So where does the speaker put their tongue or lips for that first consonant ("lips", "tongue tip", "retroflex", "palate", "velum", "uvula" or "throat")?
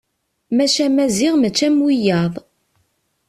lips